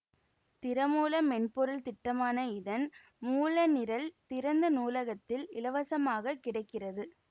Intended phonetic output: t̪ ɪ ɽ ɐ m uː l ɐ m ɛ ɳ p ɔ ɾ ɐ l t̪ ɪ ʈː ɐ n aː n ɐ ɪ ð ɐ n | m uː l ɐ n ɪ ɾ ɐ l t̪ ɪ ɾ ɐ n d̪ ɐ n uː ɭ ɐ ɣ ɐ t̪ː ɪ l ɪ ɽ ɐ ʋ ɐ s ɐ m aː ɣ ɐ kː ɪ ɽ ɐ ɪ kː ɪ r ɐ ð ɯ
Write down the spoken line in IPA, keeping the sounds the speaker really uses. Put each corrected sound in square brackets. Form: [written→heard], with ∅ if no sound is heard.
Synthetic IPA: t̪ ɪ [ɽ→ɾ] ɐ m uː l ɐ m ɛ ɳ p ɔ ɾ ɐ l t̪ ɪ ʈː ɐ [n→m] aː n ɐ ɪ ð ɐ n | m uː l ɐ n ɪ ɾ ɐ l t̪ ɪ ɾ ɐ n d̪ ɐ n uː [ɭ→l] ɐ ɣ ɐ t̪ː ɪ l ɪ [ɽ→l] ɐ ʋ ɐ s ɐ m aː ɣ ɐ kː ɪ ɽ ɐ ɪ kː ɪ r ɐ ð ɯ